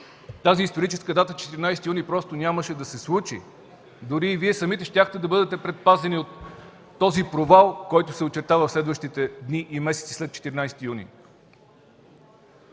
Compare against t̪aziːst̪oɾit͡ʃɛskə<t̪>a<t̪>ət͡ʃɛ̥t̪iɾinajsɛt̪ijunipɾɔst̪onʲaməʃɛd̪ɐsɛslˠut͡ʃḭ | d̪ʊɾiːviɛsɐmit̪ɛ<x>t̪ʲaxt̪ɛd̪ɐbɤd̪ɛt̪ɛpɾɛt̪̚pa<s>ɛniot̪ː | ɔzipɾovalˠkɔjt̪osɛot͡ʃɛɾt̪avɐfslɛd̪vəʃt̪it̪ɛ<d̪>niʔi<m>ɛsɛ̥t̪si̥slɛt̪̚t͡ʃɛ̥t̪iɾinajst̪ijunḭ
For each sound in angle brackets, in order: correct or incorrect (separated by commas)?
incorrect, correct, incorrect, incorrect, correct, correct